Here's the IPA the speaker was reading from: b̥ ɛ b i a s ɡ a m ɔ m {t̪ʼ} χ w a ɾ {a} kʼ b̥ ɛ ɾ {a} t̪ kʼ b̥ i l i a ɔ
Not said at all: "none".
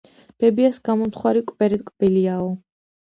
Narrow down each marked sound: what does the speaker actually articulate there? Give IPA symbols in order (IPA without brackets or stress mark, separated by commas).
t̪, i, ɛ